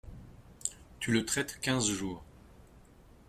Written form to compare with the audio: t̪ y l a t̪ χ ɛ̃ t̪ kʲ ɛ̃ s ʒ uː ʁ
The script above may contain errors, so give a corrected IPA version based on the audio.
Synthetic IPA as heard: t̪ y l ə t̪ χ ɛ t̪ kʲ ɛ̃ z ʒ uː ʁ